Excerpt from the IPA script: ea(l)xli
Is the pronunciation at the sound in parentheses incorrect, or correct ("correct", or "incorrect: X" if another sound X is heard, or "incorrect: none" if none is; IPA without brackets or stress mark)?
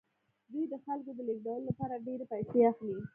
incorrect: none